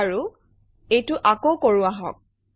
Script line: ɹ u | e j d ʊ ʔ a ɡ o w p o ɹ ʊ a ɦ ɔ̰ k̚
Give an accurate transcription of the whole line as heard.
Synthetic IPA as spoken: ɹ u | e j t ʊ ʔ a k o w k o ɹ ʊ a ɦ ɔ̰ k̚